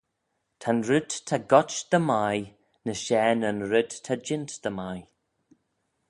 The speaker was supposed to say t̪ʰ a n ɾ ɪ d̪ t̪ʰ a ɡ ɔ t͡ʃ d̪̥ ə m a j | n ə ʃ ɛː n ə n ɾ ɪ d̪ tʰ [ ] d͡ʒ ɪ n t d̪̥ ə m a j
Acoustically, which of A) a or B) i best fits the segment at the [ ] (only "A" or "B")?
A